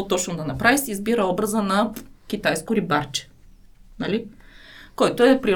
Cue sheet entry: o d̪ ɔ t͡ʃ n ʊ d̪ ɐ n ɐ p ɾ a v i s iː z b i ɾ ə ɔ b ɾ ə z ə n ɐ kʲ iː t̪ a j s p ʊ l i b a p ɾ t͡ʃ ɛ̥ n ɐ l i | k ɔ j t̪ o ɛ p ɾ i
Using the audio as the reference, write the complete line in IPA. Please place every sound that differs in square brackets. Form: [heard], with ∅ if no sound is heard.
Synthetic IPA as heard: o [t̪] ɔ t͡ʃ n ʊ d̪ ɐ n ɐ p ɾ a v i s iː z b i ɾ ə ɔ b ɾ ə z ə n ɐ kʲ [i] t̪ a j s [k] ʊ [ɾ] i b a [∅] ɾ t͡ʃ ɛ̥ n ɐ l i | k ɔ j t̪ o ɛ p ɾ i